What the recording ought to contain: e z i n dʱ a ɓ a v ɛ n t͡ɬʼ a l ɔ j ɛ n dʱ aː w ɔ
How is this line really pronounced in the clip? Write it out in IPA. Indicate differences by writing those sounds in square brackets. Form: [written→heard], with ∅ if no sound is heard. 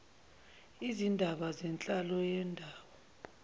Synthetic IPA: [e→i] z i n dʱ a ɓ a [v→z] ɛ n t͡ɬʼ a l ɔ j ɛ n dʱ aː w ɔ